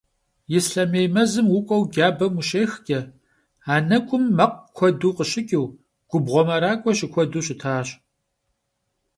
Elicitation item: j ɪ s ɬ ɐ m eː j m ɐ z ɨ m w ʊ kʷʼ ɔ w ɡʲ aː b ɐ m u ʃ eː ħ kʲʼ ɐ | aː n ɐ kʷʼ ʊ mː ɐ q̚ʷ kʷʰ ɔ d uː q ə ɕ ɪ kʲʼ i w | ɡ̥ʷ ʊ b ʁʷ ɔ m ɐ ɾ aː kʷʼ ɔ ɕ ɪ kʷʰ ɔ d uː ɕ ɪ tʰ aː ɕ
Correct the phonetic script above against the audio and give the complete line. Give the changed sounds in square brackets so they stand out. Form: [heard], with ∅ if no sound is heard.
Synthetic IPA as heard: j ɪ s ɬ ɐ m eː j m ɐ z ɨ m w ʊ kʷʼ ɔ w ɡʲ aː b ɐ m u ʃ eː [x] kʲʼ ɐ | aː n ɐ kʷʼ ʊ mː ɐ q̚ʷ kʷʰ ɔ d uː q ə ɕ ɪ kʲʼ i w | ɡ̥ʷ ʊ b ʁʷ ɔ m ɐ ɾ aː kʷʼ ɔ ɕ ɪ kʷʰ ɔ d uː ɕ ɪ tʰ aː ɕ